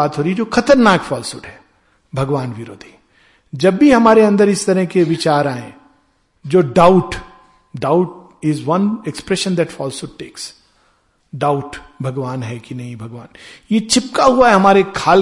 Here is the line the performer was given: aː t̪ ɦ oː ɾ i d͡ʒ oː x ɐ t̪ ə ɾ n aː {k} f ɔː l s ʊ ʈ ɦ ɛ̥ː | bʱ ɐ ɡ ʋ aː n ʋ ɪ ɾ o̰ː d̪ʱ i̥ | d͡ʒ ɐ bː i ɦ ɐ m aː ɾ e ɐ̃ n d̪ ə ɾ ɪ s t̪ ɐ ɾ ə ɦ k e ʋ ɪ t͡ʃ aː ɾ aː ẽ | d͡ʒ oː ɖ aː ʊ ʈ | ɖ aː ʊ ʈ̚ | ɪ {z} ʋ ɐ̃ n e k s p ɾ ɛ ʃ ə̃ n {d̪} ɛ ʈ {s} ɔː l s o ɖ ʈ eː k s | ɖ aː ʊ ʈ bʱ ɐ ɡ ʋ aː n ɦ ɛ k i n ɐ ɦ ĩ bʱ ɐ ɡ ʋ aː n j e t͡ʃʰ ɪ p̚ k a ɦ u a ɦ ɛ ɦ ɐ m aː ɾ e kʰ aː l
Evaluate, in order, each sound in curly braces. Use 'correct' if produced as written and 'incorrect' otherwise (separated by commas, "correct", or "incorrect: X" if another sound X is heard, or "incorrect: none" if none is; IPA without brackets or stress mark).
correct, correct, correct, incorrect: f